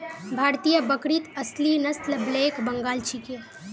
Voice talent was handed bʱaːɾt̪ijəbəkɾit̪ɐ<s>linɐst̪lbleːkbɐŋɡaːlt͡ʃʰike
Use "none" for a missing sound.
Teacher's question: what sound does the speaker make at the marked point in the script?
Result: s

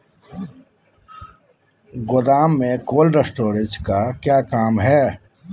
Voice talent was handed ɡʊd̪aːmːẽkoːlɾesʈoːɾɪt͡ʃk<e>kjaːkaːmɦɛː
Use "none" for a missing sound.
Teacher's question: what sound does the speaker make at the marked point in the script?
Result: a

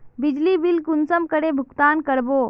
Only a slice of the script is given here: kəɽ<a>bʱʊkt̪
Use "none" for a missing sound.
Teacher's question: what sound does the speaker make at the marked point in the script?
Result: e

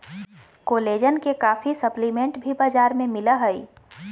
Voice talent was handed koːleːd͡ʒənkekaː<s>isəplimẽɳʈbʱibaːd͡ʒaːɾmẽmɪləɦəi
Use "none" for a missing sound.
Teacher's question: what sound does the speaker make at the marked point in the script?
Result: f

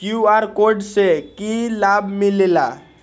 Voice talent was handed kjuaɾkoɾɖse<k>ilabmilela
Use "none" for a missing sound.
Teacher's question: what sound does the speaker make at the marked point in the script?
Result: k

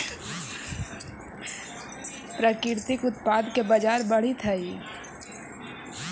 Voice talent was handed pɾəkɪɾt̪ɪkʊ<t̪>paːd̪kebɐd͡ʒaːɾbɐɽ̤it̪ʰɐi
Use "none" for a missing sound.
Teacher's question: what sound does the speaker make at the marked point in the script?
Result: t̪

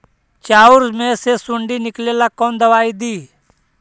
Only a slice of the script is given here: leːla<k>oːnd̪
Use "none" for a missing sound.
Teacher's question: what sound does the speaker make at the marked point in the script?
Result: k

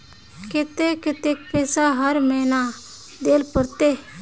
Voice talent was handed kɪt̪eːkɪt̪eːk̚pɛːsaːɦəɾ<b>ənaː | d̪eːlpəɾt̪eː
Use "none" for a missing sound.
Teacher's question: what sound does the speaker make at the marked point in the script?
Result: m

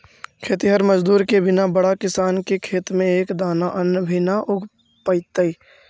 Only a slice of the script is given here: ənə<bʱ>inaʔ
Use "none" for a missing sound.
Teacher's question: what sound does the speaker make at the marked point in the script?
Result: bʱ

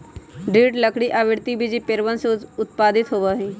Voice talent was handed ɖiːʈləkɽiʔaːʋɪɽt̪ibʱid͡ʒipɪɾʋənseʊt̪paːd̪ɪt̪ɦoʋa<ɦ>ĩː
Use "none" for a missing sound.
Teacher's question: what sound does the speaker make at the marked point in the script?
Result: ɦ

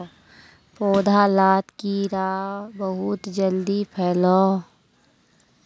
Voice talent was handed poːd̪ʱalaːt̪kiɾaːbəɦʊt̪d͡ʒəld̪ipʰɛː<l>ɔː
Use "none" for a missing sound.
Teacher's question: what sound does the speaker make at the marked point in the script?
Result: l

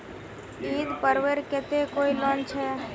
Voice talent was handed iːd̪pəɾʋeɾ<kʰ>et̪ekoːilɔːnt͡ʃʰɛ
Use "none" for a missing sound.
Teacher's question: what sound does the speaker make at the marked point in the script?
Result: k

